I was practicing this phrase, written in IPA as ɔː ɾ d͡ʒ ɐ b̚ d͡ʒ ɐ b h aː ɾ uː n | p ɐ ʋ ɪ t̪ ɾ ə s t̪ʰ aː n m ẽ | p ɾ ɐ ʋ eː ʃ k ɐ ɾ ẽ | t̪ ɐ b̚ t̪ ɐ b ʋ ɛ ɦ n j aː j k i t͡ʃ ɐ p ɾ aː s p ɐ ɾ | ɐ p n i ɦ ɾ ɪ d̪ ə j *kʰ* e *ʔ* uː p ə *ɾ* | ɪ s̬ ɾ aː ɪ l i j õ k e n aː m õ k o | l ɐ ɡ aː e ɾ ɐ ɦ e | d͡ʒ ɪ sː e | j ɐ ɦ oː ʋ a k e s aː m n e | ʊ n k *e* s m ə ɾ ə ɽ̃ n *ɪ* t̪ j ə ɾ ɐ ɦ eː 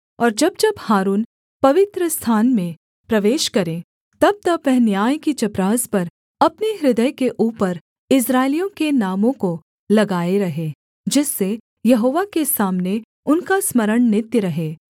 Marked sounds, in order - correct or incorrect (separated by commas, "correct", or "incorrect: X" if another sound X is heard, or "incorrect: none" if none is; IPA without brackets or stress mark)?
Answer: incorrect: k, correct, correct, incorrect: a, correct